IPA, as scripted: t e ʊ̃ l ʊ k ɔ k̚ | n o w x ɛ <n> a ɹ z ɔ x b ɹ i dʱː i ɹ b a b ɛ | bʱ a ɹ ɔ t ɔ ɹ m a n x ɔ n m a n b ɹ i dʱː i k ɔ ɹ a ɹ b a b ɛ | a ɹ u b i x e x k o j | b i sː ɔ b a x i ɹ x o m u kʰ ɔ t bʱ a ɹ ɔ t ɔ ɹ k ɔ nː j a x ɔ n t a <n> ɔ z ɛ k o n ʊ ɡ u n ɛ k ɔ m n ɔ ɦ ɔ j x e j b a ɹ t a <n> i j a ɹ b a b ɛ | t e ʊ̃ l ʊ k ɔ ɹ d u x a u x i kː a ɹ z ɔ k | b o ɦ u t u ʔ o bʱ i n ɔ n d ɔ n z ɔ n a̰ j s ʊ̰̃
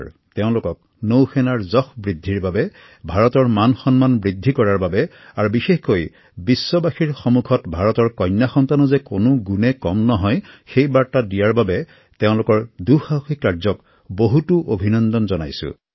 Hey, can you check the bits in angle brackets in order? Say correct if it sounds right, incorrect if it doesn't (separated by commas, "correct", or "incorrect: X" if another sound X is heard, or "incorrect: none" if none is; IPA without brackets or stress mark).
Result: correct, correct, incorrect: d